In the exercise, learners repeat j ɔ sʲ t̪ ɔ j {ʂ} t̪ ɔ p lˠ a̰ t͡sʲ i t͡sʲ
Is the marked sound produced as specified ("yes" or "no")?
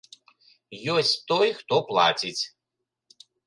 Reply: no